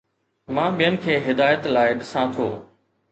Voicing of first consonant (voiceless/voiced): voiced